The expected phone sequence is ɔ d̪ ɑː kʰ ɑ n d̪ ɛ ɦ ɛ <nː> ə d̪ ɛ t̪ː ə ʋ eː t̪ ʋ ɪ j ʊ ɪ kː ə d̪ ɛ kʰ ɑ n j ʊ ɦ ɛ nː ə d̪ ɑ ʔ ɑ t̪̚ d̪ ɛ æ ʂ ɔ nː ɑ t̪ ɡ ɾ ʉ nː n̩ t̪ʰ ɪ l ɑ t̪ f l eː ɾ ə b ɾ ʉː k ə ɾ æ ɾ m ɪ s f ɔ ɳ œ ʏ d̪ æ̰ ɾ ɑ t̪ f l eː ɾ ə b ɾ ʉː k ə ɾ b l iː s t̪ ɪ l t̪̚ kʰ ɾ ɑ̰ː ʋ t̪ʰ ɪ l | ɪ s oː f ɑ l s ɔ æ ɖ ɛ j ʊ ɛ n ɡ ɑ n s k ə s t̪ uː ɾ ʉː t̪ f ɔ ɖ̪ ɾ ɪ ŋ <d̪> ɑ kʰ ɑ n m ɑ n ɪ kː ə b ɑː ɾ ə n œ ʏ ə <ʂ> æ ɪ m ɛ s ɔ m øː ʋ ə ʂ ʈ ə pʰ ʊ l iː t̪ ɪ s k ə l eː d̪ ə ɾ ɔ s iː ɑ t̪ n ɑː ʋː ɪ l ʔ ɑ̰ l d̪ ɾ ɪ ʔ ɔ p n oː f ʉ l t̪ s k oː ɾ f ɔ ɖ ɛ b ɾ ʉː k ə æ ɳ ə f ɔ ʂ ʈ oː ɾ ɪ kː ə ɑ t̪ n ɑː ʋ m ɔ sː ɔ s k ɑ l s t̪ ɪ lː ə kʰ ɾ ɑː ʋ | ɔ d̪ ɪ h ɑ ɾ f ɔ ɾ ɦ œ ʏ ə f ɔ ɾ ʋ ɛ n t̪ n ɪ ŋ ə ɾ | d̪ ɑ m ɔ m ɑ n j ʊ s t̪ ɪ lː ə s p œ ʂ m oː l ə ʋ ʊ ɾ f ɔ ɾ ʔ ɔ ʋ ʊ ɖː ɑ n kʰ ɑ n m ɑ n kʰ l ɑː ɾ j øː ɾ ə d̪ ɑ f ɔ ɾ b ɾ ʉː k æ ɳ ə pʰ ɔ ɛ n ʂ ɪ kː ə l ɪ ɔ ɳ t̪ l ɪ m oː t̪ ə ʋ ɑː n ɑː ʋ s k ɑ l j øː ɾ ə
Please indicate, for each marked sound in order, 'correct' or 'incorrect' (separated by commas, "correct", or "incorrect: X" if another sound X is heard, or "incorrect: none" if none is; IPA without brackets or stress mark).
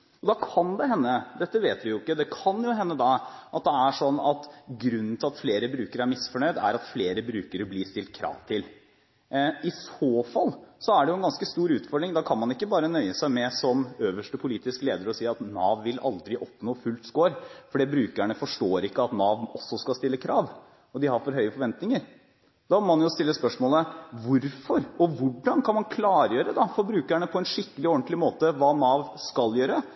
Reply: correct, correct, incorrect: s